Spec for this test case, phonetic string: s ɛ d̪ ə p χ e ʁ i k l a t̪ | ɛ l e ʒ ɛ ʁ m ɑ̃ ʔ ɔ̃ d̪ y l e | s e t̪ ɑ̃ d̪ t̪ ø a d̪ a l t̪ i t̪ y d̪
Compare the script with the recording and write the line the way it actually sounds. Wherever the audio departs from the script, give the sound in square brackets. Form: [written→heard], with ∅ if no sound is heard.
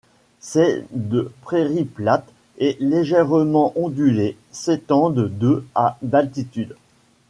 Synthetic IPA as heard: s ɛ d̪ ə p χ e ʁ i [k→p] l a t̪ | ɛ l e ʒ ɛ ʁ m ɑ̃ ʔ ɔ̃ d̪ y l e | s e t̪ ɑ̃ d̪ [t̪→d̪] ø a d̪ a l t̪ i t̪ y d̪